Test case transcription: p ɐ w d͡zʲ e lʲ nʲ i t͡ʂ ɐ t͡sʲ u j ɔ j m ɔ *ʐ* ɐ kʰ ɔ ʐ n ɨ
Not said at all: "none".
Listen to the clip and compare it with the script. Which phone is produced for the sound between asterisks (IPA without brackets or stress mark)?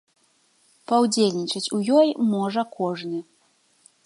ʐ